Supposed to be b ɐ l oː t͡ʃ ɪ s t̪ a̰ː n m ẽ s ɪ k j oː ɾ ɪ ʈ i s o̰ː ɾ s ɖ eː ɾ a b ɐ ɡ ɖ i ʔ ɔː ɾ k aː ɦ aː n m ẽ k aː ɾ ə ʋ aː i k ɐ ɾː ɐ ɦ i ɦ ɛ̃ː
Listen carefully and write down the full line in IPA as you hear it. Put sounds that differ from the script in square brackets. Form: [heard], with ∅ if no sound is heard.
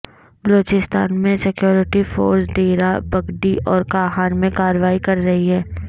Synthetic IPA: b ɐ l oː t͡ʃ ɪ s t̪ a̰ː n m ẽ s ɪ k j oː ɾ ɪ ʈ i [f] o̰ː ɾ s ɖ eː ɾ a b ɐ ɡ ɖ i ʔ ɔː ɾ k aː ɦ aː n m ẽ k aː ɾ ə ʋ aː i k ɐ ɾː ɐ ɦ i ɦ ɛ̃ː

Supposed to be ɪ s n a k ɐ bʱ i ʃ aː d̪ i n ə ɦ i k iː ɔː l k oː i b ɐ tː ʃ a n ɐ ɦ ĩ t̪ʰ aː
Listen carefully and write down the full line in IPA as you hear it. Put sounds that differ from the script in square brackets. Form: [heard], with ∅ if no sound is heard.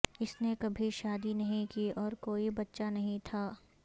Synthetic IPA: ɪ s n [e] k ɐ bʱ i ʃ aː d̪ i n [ɐ] ɦ [ĩ] k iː ɔː [ɾ] k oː i b ɐ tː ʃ a n ɐ ɦ ĩ t̪ʰ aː

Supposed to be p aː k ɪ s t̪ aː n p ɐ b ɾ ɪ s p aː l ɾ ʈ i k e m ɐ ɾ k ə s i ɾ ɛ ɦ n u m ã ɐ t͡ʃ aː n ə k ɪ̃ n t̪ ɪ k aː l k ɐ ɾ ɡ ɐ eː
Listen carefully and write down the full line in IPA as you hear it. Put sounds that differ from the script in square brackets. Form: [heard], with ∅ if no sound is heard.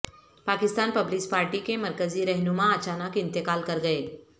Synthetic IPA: p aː k ɪ s t̪ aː n p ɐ b [l] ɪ s p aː [∅] ɾ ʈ i k e m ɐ ɾ k ə [z] i ɾ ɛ ɦ n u m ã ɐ t͡ʃ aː n ə k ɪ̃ n t̪ ɪ k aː l k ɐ ɾ ɡ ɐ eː

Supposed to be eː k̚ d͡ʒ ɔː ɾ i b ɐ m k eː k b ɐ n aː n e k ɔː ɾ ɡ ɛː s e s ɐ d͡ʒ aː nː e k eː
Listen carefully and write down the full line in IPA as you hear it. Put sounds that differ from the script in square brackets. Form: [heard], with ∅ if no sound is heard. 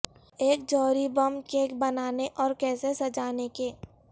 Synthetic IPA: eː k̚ d͡ʒ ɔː ɾ i b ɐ m k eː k b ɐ n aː n e [ʔ] ɔː ɾ [k] ɛː s e s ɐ d͡ʒ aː [n] e k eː

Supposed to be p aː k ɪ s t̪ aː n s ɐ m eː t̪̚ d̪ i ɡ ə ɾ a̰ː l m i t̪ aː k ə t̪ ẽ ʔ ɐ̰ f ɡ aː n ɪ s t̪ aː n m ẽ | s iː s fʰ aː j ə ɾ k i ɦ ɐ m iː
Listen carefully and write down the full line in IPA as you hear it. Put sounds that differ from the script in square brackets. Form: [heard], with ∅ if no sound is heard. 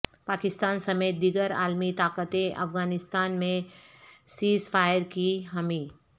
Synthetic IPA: p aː k ɪ s t̪ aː n s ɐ m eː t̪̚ d̪ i ɡ ə ɾ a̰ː l m i t̪ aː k ə t̪ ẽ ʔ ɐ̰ f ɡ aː n ɪ s t̪ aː n m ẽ | s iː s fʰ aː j ə ɾ k i ɦ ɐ m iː

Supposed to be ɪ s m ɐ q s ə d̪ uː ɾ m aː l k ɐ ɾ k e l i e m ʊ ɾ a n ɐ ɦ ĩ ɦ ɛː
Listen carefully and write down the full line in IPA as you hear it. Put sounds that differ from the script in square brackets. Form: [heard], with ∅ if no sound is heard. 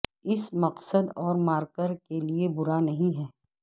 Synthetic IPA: ɪ s m ɐ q s ə d̪ [ɔː] ɾ m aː [ɾ] k [ə] ɾ k e l i e [b] ʊ ɾ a n ɐ ɦ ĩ ɦ ɛː

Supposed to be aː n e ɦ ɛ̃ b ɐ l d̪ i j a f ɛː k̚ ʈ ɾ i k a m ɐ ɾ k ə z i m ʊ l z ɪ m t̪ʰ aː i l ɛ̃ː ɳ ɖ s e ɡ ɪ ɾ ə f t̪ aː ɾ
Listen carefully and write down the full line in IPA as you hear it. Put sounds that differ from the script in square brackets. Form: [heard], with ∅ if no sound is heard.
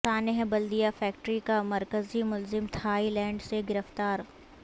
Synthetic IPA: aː n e ɦ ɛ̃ b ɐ l d̪ i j a f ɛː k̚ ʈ ɾ i k a m ɐ ɾ k ə z i m ʊ l z ɪ m t̪ʰ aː i l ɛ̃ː ɳ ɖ s e ɡ ɪ ɾ ə f t̪ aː ɾ

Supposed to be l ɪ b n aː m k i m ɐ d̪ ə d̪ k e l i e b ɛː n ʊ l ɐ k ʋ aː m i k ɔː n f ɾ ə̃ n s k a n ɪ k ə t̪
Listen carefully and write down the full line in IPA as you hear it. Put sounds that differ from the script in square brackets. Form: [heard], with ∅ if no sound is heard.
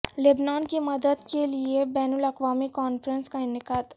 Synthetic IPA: l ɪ b n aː [n] k i m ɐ d̪ ə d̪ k e l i e b ɛː n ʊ l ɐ k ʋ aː m i k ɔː n f ɾ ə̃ n s k a n ɪ k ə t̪

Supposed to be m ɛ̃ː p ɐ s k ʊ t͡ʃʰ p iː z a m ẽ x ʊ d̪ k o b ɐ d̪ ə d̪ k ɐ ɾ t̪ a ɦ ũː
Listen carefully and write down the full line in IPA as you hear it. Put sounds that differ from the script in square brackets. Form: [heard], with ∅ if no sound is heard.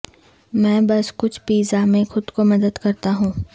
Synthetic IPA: m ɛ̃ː [b] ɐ s k ʊ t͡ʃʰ p iː z a m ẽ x ʊ d̪ k o [m] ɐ d̪ ə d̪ k ɐ ɾ t̪ a ɦ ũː

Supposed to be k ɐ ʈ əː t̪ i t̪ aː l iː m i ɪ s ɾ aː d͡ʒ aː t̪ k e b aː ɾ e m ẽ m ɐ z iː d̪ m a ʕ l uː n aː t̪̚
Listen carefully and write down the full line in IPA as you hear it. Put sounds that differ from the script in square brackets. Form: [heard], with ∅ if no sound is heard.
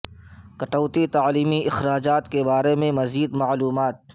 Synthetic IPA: k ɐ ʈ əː t̪ i t̪ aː l iː m i ɪ [x] ɾ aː d͡ʒ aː t̪ k e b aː ɾ e m ẽ m ɐ z iː d̪ m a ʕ l uː [m] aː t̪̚

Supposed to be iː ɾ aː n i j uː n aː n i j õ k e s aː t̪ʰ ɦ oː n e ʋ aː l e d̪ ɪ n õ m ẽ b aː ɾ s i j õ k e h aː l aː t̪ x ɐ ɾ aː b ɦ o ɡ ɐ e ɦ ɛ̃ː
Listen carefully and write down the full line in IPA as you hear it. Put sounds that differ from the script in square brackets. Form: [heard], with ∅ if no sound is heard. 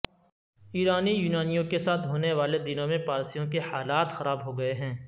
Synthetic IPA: iː ɾ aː n i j uː n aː n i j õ k e s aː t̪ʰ ɦ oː n e ʋ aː l e d̪ ɪ n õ m ẽ [p] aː ɾ s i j õ k e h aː l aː t̪ x ɐ ɾ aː b ɦ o ɡ ɐ e ɦ ɛ̃ː

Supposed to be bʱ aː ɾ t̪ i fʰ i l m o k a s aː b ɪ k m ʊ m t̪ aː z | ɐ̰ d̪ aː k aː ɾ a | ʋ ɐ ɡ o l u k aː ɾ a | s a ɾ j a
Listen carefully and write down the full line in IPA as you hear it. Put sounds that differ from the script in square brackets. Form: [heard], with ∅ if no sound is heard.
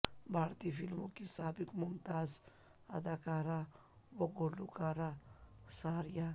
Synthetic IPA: bʱ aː ɾ t̪ i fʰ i l m o k [i] s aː b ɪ k m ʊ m t̪ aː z | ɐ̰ d̪ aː k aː ɾ a | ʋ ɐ ɡ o l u k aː ɾ a | s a ɾ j a

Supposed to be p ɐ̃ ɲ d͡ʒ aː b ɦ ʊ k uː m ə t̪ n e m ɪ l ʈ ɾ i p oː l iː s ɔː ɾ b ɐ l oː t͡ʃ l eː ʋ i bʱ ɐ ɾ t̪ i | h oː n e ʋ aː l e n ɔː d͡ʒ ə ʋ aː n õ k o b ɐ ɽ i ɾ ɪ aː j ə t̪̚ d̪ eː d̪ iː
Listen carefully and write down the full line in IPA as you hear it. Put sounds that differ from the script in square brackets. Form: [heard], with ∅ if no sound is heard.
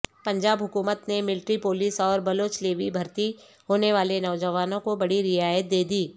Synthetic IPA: p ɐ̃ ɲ d͡ʒ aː b ɦ ʊ k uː m ə t̪ n e m ɪ l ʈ ɾ i p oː l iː s ɔː ɾ b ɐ l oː t͡ʃ l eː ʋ i bʱ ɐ ɾ t̪ i | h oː n e ʋ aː l e n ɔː d͡ʒ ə ʋ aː n õ k o b ɐ ɽ i ɾ ɪ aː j ə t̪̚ d̪ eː d̪ iː

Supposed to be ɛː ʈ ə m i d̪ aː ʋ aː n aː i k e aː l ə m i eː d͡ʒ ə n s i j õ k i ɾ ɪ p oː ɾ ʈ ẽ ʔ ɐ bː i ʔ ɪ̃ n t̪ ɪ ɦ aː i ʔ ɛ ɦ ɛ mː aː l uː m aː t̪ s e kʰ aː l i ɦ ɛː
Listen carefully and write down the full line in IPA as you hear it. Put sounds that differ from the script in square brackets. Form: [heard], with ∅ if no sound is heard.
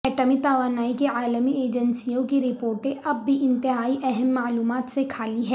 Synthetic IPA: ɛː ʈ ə m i [t̪] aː ʋ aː n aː i k e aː l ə m i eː d͡ʒ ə n s i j õ k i ɾ ɪ p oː ɾ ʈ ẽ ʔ ɐ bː i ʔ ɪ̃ n t̪ ɪ ɦ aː i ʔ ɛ ɦ ɛ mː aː l uː m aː t̪ s e kʰ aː l i ɦ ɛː

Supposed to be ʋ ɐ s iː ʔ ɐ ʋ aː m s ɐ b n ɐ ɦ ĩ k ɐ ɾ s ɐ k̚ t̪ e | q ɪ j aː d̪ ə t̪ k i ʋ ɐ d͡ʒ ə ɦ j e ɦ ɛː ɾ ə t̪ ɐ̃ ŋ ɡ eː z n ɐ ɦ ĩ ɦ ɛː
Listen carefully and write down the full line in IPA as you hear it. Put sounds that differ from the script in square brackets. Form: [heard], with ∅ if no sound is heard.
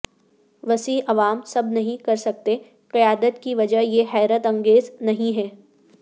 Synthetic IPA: ʋ ɐ s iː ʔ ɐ ʋ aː m s ɐ b n ɐ ɦ ĩ k ɐ ɾ s ɐ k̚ t̪ e | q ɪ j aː d̪ ə t̪ k i ʋ ɐ d͡ʒ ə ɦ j e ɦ ɛː ɾ ə t̪ ɐ̃ ŋ ɡ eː z n ɐ ɦ ĩ ɦ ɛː

